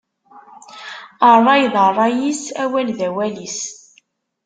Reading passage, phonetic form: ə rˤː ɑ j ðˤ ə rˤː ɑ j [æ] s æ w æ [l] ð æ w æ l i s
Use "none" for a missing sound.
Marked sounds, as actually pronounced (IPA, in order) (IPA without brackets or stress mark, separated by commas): i, l